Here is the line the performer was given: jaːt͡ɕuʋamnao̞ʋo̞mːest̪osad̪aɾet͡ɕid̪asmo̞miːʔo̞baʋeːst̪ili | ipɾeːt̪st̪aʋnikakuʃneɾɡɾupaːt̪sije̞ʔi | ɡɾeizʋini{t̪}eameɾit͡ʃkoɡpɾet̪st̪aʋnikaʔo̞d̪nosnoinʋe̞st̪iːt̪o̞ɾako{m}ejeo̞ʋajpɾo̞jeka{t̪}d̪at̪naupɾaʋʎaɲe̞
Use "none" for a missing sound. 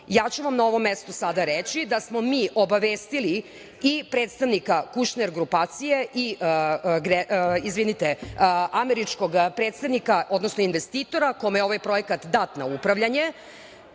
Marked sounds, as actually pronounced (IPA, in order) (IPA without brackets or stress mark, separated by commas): t̪, m, t̪